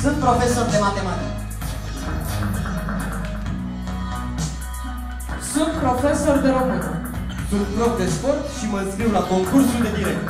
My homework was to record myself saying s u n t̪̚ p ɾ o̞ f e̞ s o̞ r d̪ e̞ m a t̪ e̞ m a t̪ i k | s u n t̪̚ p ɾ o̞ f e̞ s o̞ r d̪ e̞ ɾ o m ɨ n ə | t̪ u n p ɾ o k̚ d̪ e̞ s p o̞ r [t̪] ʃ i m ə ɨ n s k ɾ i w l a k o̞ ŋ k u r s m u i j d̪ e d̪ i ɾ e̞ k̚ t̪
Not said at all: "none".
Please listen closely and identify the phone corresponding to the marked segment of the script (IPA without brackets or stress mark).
t̪